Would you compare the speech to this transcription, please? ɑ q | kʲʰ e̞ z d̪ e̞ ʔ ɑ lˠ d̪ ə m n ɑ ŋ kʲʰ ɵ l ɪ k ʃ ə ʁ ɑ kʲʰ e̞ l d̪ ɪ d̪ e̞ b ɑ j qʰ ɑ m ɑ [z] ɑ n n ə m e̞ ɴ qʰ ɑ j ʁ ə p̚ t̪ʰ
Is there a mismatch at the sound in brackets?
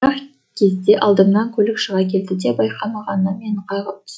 yes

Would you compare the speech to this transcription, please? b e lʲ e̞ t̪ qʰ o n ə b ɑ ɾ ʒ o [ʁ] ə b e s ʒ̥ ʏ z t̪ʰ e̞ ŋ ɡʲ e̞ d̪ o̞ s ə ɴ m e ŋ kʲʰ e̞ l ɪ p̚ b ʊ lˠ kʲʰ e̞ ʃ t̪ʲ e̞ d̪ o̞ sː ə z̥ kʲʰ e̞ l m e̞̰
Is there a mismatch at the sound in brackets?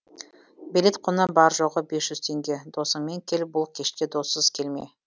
no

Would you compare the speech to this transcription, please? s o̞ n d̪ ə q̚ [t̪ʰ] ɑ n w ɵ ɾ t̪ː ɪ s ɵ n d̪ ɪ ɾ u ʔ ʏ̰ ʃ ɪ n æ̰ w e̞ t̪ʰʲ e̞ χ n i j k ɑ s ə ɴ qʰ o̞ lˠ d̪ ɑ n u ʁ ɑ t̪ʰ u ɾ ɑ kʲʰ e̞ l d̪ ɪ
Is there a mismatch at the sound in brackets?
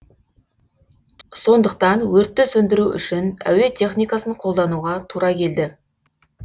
yes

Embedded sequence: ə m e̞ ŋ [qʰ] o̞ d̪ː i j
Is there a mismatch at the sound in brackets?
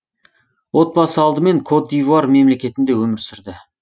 yes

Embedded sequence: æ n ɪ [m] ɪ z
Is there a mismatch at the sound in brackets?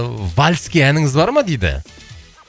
yes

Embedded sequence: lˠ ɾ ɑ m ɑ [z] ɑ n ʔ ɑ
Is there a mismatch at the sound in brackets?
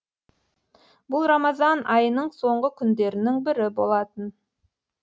no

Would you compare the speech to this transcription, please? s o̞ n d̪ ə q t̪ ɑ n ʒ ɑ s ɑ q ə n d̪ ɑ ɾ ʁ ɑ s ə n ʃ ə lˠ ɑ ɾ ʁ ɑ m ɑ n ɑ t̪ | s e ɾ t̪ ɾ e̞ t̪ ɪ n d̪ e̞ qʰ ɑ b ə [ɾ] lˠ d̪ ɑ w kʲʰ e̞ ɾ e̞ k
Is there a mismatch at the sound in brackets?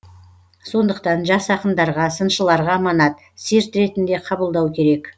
yes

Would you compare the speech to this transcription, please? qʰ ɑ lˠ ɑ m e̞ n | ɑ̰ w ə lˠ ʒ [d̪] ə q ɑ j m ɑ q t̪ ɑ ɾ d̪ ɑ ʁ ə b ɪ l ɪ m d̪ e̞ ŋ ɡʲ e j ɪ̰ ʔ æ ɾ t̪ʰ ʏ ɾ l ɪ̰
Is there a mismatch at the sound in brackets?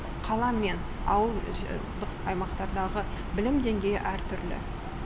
no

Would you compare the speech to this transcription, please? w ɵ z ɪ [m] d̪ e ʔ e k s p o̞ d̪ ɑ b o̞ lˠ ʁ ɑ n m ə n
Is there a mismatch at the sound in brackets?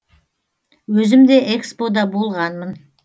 no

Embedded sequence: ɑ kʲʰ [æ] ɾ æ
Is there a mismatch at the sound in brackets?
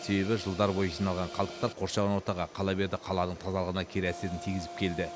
yes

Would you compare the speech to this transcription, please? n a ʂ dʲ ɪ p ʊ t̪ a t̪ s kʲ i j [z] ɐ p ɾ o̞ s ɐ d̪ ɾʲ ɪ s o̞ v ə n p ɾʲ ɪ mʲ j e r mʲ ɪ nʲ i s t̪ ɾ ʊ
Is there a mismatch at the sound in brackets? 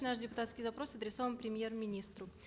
no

